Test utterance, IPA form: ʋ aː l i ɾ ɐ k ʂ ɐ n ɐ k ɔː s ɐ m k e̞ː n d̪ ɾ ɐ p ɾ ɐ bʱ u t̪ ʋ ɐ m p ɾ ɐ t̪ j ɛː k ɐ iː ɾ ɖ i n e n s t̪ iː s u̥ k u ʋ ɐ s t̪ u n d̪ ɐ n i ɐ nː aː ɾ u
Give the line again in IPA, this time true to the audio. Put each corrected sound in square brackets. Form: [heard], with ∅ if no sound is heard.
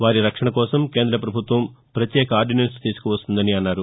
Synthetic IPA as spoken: ʋ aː [ɾ] i ɾ ɐ k ʂ ɐ [ɳ] ɐ k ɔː s ɐ m k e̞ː n d̪ ɾ ɐ p ɾ ɐ bʱ u t̪ ʋ ɐ m p ɾ ɐ t̪ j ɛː k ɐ [aː] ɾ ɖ i n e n s t̪ iː s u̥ k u ʋ ɐ s t̪ u n d̪ ɐ n i ɐ nː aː ɾ u